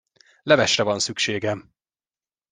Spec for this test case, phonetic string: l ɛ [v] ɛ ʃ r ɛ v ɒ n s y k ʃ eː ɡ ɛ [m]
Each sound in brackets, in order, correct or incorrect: correct, correct

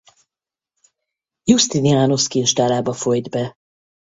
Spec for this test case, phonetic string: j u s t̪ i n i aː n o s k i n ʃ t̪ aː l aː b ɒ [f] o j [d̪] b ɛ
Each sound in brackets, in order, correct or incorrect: correct, correct

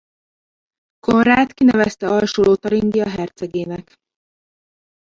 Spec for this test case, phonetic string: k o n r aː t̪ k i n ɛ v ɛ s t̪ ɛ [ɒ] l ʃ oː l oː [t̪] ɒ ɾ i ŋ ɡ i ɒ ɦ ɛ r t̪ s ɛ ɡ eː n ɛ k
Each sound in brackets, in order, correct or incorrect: correct, correct

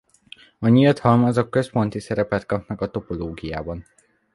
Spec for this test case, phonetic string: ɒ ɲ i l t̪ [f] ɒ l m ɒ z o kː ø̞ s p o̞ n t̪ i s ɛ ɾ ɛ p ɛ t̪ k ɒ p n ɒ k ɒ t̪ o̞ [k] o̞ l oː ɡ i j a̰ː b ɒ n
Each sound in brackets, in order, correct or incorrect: incorrect: h, incorrect: p

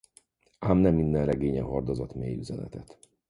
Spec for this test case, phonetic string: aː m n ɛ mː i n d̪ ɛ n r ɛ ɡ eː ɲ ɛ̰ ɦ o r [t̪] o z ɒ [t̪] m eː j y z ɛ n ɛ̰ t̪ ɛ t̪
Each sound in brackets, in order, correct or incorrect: incorrect: d̪, correct

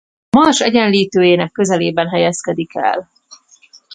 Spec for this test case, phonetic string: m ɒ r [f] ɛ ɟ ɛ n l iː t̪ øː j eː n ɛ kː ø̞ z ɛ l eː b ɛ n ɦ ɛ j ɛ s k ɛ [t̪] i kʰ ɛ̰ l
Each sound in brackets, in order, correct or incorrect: incorrect: ʃ, incorrect: d̪

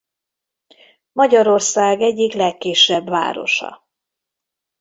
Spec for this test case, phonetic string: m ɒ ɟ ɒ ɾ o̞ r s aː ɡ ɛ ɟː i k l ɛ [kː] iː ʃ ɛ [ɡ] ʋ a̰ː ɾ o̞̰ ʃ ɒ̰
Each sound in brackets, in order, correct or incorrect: correct, incorrect: b

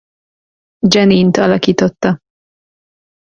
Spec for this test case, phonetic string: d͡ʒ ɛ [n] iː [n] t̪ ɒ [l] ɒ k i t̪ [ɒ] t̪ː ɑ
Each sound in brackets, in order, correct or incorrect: correct, correct, correct, incorrect: o

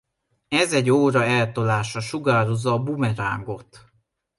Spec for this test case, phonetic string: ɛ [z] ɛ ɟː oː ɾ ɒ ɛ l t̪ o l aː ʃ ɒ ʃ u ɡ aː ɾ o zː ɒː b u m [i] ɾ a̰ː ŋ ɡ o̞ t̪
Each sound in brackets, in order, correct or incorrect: correct, incorrect: ɛ

